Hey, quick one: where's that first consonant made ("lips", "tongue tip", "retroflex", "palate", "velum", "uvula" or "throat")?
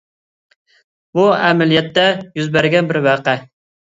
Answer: lips